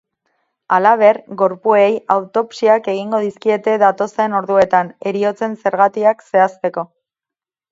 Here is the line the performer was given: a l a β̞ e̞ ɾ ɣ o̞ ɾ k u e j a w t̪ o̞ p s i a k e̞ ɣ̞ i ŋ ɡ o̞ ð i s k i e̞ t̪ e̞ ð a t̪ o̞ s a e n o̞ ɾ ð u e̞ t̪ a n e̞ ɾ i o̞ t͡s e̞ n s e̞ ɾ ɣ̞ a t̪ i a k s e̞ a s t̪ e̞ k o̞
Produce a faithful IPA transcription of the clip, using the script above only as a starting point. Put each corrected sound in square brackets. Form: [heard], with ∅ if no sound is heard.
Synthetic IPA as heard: a l a β̞ e̞ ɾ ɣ o̞ ɾ [p] u e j a w t̪ o̞ p s i a k e̞ ɣ̞ i ŋ ɡ o̞ ð i s k i e̞ t̪ e̞ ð a t̪ o̞ s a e n o̞ ɾ ð u e̞ t̪ a n e̞ ɾ i o̞ t͡s e̞ n s e̞ ɾ ɣ̞ a t̪ i a k s e̞ a s t̪ e̞ k o̞